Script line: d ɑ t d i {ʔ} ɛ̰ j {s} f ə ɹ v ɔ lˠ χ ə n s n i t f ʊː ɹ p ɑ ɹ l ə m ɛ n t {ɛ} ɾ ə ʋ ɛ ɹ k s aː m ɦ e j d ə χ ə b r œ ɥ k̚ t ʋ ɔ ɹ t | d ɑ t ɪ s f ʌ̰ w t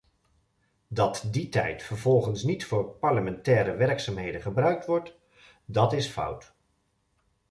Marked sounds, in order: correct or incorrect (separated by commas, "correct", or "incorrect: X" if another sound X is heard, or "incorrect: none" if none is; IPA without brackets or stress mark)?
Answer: incorrect: t, incorrect: t, incorrect: ɛː